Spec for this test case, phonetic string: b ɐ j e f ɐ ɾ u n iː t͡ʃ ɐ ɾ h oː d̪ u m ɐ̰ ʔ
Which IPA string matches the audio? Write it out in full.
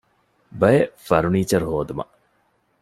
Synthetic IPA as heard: b ɐ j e f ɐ ɾ u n iː t͡ʃ ɐ ɾ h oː d̪ u m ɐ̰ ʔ